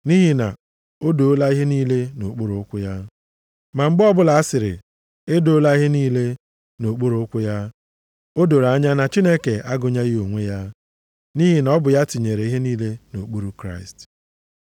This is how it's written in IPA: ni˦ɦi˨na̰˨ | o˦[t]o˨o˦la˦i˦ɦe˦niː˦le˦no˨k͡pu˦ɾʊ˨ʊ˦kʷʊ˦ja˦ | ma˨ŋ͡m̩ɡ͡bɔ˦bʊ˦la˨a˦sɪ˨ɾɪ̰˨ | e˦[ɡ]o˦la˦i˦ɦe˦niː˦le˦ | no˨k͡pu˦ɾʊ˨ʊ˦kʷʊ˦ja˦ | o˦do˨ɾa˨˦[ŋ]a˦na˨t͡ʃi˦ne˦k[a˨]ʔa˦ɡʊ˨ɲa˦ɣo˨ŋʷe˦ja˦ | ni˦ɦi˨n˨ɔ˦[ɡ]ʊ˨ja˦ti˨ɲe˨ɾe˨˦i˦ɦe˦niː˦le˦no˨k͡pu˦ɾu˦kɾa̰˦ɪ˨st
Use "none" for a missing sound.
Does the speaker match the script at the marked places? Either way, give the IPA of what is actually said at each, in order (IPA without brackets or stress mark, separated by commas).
d, d, ɲ, e˨, b